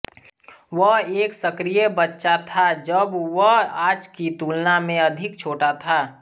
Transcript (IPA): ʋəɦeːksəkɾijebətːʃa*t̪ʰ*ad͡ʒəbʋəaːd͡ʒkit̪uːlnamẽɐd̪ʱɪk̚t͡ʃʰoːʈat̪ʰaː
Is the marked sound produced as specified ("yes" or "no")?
yes